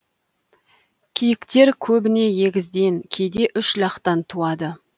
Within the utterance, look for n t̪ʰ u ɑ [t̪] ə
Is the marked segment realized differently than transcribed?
yes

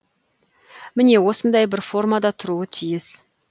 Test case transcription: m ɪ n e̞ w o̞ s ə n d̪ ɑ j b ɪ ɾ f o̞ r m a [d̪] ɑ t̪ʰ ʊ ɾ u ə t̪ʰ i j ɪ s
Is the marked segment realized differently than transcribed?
no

